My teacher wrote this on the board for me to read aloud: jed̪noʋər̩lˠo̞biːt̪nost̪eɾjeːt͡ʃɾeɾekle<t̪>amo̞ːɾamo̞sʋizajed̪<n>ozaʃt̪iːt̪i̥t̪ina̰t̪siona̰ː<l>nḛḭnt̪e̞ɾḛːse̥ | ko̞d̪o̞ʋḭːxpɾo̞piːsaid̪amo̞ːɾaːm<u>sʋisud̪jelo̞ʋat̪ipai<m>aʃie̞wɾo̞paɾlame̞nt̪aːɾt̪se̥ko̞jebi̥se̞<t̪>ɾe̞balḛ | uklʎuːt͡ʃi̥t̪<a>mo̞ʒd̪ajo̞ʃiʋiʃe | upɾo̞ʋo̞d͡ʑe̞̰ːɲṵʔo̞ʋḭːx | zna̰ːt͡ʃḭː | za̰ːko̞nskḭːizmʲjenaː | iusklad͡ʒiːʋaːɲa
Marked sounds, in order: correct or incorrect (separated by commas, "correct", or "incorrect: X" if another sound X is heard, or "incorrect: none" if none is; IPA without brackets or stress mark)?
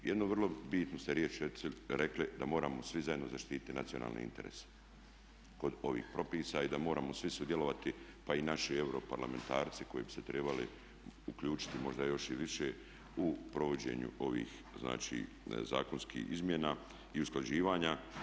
incorrect: d̪, correct, correct, incorrect: o, incorrect: n, correct, incorrect: i